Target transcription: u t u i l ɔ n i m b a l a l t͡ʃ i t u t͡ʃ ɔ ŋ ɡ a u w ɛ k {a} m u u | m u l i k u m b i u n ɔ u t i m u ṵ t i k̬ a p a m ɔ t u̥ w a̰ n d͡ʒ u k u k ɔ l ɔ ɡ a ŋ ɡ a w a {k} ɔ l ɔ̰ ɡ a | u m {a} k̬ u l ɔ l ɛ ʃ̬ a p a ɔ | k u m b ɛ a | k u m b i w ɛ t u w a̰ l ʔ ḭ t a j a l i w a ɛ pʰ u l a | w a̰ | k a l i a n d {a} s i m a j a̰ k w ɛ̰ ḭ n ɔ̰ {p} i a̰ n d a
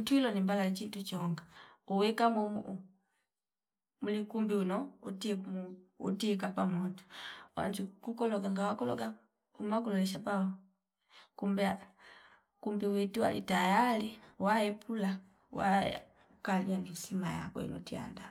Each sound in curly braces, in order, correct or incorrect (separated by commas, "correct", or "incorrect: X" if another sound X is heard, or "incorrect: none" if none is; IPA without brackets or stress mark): correct, correct, correct, incorrect: i, incorrect: t